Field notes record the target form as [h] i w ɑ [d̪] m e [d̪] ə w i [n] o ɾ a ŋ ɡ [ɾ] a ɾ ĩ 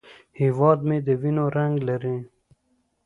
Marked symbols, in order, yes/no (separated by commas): yes, yes, yes, yes, no